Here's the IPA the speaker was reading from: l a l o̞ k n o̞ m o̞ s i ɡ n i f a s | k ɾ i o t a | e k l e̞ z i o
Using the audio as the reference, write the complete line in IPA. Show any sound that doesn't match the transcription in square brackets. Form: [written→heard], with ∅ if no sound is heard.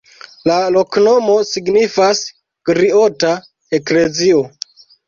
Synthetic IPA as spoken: l a l o̞ k n o̞ m o̞ s i ɡ n i f a s | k ɾ i o t a | e k l e̞ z i o